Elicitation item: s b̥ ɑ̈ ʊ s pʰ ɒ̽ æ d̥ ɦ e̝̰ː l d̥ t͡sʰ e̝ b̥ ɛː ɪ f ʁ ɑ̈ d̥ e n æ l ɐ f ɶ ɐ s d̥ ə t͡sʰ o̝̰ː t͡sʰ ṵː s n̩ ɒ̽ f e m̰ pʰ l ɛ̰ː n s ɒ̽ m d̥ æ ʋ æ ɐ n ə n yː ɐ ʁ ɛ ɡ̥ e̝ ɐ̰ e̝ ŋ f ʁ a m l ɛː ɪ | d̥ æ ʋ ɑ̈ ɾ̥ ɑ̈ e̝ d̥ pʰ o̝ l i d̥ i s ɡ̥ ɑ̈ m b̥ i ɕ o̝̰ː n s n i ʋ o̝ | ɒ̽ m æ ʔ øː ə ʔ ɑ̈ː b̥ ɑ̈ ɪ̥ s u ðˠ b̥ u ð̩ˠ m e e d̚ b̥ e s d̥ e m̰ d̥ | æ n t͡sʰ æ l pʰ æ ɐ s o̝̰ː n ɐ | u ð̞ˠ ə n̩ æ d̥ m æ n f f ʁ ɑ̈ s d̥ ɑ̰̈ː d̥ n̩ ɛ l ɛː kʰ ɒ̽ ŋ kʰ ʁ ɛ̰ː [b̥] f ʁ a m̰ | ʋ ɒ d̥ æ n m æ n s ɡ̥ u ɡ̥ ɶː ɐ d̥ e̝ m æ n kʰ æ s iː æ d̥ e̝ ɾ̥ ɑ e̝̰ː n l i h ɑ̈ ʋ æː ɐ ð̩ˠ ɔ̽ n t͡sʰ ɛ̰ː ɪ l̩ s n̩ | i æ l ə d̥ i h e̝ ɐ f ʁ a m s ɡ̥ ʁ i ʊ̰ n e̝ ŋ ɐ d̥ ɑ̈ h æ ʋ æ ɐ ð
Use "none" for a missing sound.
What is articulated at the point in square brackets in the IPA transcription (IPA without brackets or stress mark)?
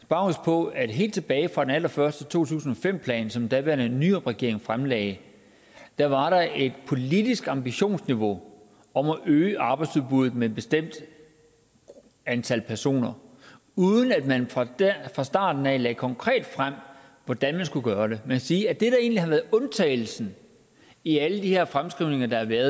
d̥